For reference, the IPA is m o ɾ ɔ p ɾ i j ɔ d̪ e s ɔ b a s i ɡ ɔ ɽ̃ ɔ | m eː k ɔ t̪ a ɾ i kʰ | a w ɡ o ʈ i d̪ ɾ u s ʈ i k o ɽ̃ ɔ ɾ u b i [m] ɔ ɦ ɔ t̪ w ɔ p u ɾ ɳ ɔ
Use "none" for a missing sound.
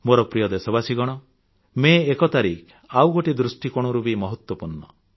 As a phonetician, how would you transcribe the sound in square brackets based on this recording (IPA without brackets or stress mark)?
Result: m